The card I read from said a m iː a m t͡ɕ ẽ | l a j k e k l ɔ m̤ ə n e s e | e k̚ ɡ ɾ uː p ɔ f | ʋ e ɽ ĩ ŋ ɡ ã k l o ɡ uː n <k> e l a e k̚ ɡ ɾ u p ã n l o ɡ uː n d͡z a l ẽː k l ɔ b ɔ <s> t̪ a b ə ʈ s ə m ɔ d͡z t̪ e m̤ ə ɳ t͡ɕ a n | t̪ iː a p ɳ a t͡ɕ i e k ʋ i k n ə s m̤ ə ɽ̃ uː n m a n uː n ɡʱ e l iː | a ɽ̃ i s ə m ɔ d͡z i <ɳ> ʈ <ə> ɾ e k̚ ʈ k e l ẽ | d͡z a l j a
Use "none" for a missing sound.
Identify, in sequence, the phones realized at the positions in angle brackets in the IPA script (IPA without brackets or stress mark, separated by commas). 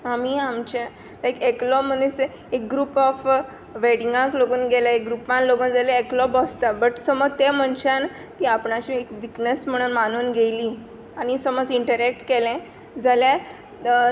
ɡ, s, ɳ, ə